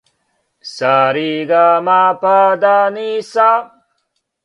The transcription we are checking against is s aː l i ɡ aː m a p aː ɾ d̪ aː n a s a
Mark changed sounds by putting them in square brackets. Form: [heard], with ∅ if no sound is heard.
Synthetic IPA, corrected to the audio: s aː [ɾ] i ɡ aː m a p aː [∅] d̪ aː n [i] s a